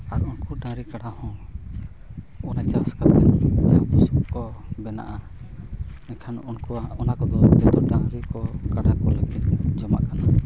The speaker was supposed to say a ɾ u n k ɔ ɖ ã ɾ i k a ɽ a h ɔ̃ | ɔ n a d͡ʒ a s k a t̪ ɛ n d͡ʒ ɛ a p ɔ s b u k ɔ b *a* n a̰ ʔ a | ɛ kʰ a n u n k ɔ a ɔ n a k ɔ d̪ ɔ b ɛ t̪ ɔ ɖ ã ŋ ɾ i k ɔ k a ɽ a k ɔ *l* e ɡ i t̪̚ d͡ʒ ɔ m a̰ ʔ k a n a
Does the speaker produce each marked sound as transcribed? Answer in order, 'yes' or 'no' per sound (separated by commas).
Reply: no, yes